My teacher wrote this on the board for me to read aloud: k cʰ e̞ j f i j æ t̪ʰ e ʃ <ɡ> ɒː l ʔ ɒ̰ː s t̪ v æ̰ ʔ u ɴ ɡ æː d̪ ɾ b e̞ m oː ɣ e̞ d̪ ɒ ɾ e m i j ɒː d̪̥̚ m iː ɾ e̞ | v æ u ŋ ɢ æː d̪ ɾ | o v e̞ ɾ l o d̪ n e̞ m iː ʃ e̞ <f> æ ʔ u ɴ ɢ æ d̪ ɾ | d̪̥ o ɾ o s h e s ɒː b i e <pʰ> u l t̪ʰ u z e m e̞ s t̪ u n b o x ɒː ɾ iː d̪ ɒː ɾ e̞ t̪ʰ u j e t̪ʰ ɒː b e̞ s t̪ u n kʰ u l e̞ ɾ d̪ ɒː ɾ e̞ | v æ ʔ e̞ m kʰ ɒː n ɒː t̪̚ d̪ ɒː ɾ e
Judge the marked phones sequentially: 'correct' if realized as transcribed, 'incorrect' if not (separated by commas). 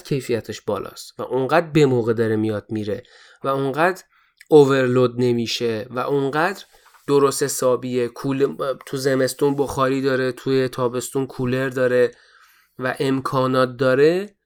incorrect, incorrect, incorrect